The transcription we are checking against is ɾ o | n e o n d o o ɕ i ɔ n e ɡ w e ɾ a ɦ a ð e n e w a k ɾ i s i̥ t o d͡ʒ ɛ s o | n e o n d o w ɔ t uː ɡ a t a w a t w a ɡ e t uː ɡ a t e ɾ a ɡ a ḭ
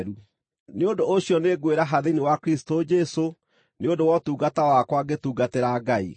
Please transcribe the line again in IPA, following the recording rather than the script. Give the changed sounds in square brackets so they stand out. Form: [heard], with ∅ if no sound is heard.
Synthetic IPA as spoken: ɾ [u] | n e o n d o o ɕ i ɔ n e ɡ w e ɾ a ɦ a ð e n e w a k ɾ i s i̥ t o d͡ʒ ɛ s o | n e o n d o w ɔ t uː ɡ a t a w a [k] w a ɡ e t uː ɡ a t e ɾ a ɡ a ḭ

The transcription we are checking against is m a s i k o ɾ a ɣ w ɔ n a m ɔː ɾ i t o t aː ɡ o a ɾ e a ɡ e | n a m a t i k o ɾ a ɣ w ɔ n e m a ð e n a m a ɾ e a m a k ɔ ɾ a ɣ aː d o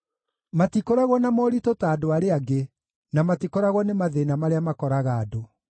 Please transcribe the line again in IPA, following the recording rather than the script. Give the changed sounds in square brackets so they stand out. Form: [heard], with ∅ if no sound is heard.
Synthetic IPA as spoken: m a [t] i k o ɾ a ɣ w ɔ n a m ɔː ɾ i t o t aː [d] o a ɾ e a ɡ e | n a m a t i k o ɾ a ɣ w ɔ n e m a ð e n a m a ɾ e a m a k ɔ ɾ a ɣ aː d o

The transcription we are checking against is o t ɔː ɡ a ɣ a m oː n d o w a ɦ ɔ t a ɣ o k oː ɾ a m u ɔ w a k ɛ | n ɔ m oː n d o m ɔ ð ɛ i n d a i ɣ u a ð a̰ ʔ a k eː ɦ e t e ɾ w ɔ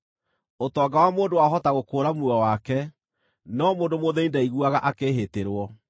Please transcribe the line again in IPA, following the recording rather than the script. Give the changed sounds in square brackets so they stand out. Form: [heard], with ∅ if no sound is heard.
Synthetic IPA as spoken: o t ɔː ɡ a [w] a m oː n d o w a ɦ ɔ t a ɣ o k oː ɾ a m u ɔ w a k ɛ | n ɔ m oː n d o m [o] ð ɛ i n d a i ɣ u a [ɣ] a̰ ʔ a k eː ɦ e t e ɾ w ɔ

